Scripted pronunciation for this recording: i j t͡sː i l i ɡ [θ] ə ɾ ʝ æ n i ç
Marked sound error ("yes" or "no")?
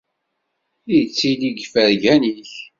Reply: yes